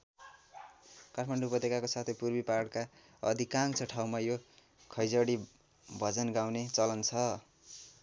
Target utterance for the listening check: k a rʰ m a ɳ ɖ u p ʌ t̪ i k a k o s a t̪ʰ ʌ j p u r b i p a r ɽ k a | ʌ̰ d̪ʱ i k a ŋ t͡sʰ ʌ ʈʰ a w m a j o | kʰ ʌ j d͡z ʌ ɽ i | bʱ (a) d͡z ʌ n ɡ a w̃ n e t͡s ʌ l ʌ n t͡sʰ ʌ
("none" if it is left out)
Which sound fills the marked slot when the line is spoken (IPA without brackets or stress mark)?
ʌ